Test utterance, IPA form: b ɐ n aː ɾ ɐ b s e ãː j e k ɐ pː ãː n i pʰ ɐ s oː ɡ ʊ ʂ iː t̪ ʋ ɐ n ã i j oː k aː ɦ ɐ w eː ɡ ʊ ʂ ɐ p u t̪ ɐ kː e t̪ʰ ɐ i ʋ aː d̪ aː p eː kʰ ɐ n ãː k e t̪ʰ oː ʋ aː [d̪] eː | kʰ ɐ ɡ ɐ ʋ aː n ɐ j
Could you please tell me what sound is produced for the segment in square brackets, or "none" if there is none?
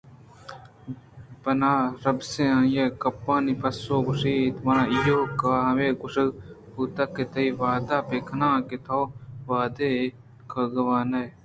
d̪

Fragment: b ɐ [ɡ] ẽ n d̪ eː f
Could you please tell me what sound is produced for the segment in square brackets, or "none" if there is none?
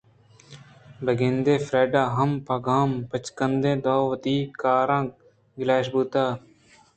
ɡ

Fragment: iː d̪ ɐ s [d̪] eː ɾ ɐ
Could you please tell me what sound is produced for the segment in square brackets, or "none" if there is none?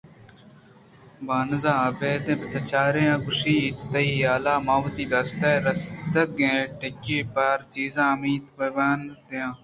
t̪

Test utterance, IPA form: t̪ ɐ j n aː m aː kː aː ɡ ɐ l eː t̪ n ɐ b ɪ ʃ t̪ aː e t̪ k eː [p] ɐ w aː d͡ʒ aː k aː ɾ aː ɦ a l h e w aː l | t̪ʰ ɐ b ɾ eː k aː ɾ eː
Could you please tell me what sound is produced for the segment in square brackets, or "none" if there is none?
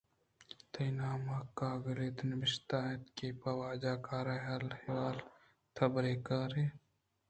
p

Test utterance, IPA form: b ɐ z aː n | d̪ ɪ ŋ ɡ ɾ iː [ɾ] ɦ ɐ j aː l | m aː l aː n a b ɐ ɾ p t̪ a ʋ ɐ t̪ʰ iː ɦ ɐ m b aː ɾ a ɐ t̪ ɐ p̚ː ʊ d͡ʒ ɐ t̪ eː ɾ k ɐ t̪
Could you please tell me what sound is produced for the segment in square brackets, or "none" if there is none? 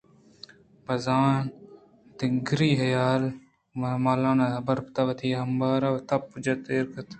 none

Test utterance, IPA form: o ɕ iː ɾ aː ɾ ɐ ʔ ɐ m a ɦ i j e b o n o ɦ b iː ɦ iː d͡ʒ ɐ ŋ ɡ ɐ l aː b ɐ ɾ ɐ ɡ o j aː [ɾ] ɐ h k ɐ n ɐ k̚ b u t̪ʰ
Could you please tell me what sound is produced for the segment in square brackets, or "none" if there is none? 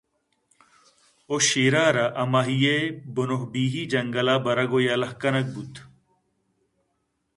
l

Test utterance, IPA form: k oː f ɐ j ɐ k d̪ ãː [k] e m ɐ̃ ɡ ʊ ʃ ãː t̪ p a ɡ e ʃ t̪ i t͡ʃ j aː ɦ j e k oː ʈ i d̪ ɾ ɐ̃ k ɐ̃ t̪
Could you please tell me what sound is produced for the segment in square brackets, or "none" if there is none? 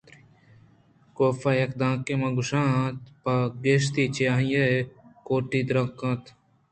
k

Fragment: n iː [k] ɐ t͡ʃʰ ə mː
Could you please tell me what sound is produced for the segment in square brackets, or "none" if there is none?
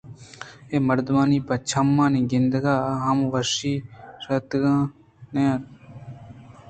p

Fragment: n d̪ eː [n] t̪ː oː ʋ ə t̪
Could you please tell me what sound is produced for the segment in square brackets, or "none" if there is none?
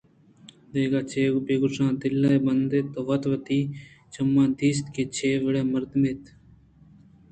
none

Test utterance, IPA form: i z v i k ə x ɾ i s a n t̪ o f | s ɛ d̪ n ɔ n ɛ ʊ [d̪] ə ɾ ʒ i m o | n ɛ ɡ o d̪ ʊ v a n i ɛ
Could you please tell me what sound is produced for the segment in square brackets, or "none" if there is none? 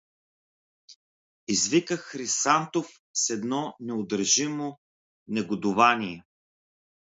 d̪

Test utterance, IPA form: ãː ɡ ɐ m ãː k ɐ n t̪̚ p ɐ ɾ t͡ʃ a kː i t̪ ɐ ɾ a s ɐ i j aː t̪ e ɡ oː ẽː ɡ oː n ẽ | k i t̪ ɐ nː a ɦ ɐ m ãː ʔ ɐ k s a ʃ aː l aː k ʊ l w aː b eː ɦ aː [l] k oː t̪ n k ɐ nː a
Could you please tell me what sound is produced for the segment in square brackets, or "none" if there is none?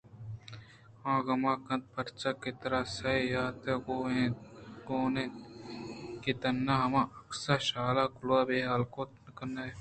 l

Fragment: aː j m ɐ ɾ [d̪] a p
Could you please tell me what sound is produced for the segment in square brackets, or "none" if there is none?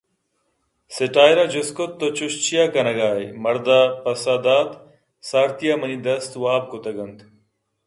d̪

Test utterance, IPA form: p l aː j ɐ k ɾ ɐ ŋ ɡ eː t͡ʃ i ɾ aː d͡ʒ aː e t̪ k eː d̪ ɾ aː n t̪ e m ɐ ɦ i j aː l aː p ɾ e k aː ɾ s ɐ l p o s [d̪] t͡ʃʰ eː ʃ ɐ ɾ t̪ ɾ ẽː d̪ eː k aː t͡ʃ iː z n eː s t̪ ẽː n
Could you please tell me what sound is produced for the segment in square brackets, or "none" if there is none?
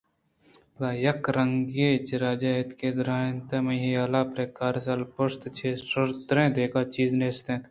t̪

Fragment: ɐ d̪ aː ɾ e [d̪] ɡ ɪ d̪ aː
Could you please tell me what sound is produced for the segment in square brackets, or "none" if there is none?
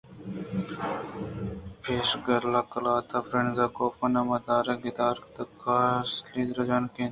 none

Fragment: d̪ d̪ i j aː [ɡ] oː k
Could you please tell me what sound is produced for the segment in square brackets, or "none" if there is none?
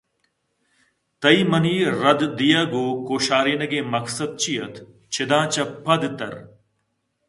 ɡ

